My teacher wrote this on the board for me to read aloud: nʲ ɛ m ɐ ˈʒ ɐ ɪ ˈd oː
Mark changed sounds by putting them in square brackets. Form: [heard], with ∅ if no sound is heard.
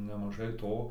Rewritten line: nʲ ɛ m ɐ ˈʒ ɐ ɪ [ˈt] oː